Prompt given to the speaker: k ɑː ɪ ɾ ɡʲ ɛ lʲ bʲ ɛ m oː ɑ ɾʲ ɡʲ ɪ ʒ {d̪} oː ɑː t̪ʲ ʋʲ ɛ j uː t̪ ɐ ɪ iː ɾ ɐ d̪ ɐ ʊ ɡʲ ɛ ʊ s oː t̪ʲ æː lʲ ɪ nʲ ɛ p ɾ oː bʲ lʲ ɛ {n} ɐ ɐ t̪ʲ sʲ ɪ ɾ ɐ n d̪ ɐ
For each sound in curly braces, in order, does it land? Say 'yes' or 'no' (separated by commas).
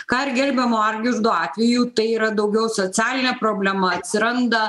yes, no